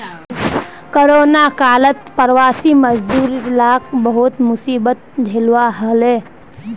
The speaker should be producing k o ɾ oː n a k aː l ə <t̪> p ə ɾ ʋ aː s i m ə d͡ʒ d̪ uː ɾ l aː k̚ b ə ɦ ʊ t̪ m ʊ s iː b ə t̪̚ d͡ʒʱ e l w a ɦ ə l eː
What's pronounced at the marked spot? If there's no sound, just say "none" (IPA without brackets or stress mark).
t̪